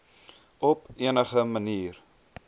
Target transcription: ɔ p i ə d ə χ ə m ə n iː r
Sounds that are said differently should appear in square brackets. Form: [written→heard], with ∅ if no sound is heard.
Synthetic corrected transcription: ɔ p i ə [d→n] ə χ ə m ə n iː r

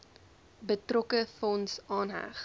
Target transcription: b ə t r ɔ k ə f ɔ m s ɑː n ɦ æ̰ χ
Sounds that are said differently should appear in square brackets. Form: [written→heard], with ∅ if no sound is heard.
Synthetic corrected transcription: b ə t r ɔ k ə f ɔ [m→n] s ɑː n ɦ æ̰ χ

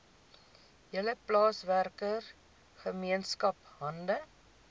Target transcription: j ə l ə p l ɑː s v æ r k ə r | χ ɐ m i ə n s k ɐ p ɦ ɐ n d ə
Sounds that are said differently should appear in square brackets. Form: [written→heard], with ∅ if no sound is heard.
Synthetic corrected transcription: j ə l ə p l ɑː s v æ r k ə r | χ [ɐ→ə] m i ə n s k ɐ p ɦ ɐ n d ə

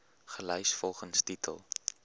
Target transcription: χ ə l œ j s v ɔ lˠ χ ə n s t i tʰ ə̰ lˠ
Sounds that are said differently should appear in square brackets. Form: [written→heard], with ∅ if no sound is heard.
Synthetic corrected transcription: χ ə l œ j s [v→f] ɔ lˠ χ ə n s t i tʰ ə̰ lˠ

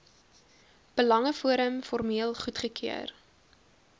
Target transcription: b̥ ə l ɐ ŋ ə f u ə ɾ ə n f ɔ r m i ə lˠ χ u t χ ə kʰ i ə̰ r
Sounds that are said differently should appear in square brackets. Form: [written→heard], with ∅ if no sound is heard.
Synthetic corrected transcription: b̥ ə l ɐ ŋ ə f u ə ɾ ə [n→m] f ɔ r m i ə lˠ χ u t χ ə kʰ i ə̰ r

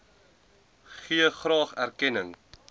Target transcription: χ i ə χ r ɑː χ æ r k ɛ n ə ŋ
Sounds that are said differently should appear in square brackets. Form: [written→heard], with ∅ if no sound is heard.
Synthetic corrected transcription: χ i ə χ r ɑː χ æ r k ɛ n ə ŋ

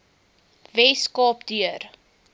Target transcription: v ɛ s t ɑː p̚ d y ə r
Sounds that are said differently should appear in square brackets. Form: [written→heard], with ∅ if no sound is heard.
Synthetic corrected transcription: v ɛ s [t→k] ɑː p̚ d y ə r

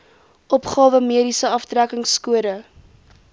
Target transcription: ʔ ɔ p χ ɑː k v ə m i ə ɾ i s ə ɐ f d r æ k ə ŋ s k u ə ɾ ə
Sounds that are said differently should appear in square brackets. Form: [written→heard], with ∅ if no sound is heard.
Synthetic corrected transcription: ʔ ɔ p χ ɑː [k→∅] v ə m i ə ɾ i s ə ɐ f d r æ k ə ŋ s k u ə ɾ ə

